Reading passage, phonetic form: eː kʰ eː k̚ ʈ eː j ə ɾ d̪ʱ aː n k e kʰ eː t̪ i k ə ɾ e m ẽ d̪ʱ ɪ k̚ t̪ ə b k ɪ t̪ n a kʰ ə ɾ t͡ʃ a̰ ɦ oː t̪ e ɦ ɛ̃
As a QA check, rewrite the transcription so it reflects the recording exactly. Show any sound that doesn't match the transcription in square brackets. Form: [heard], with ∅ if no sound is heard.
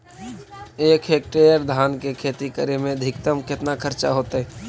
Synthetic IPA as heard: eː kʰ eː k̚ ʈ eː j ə ɾ d̪ʱ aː n k e kʰ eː t̪ i k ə ɾ e m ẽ d̪ʱ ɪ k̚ t̪ ə [m] k ɪ t̪ n a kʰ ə ɾ t͡ʃ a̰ ɦ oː t̪ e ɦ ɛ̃